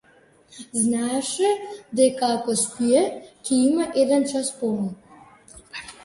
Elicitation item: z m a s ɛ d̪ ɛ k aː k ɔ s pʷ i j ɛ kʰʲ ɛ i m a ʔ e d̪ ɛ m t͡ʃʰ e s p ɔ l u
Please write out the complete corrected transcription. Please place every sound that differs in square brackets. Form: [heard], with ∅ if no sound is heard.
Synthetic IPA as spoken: z [n] a [ʂ] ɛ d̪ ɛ k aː k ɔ s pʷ i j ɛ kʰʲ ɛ i m a ʔ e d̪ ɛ [n] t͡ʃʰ [a] s p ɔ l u